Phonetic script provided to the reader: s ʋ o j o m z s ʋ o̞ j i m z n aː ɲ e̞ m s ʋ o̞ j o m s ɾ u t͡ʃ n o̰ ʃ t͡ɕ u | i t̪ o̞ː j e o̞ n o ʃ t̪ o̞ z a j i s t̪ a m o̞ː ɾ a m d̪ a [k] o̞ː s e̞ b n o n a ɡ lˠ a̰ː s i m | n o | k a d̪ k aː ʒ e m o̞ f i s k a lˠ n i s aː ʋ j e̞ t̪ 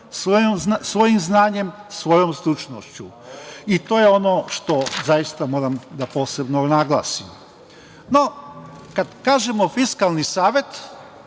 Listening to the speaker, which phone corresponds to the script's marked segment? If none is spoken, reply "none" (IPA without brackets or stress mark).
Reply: p